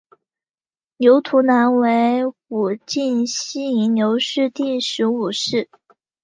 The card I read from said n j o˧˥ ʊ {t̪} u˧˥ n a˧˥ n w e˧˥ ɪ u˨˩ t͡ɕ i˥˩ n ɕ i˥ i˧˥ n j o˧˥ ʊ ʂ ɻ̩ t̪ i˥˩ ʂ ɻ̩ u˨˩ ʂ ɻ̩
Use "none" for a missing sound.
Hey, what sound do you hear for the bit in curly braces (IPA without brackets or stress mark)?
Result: t̪ʰ